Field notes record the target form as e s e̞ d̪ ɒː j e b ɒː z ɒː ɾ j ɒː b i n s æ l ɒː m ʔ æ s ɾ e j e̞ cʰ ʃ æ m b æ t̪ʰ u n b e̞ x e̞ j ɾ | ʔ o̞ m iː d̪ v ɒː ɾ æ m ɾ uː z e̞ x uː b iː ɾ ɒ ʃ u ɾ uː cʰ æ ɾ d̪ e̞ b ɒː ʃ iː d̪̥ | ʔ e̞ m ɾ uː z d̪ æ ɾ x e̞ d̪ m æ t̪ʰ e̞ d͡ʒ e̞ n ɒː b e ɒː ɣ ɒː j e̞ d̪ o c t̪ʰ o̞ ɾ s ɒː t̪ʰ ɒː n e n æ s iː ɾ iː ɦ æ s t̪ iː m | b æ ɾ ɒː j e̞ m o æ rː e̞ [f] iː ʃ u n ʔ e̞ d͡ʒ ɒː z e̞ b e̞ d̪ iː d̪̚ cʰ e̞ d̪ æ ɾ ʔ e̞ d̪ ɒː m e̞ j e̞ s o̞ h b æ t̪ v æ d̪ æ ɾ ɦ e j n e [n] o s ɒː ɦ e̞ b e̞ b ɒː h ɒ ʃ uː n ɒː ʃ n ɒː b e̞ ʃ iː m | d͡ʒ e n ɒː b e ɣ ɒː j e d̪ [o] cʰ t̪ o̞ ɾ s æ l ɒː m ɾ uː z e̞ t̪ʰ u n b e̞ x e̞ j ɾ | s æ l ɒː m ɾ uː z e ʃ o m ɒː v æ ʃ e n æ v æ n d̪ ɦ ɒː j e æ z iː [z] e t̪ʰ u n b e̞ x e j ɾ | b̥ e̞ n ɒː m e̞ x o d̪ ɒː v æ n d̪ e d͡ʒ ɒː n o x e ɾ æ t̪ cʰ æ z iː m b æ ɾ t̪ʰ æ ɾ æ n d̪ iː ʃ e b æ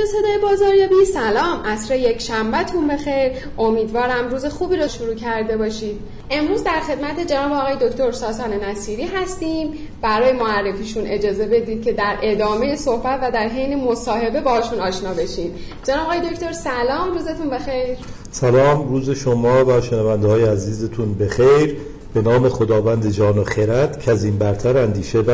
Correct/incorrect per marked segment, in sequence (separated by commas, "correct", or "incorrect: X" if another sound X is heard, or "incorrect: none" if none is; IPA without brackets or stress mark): correct, incorrect: m, correct, correct